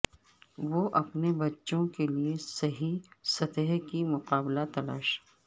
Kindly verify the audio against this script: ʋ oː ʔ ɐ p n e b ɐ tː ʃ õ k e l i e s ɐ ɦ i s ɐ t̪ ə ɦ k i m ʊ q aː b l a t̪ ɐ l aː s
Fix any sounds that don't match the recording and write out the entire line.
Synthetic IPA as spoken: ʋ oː ʔ ɐ p n e b ɐ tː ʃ õ k e l i e s ɐ ɦ i s ɐ t̪ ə ɦ k i m ʊ q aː b l a t̪ ɐ l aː ʃ